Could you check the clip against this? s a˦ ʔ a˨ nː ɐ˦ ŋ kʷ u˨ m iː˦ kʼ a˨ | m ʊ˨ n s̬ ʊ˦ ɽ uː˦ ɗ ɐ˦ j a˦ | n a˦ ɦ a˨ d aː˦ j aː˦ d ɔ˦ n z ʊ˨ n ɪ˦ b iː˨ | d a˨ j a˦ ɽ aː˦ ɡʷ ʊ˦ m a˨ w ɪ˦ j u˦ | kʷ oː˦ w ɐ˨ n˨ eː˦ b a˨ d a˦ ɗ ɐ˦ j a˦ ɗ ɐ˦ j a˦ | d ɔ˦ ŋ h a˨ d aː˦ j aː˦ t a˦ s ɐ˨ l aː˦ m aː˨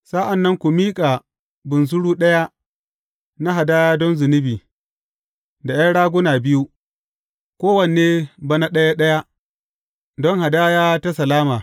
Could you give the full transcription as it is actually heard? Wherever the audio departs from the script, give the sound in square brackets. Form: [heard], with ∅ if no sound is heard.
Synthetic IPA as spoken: s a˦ ʔ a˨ nː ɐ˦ ŋ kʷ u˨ m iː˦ kʼ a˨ | [b] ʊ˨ n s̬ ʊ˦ ɽ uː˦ ɗ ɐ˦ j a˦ | n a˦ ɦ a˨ d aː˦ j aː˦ d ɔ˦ n z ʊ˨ n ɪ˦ b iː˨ | d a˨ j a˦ ɽ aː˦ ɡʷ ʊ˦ [n] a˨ [b] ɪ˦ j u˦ | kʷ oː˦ w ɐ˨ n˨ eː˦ b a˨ [n] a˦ ɗ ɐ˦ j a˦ ɗ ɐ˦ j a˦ | d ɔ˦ ŋ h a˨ d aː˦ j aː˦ t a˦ s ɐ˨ l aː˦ m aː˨